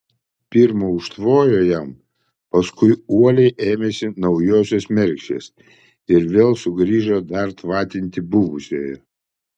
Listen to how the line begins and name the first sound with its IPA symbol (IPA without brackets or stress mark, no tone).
pʲ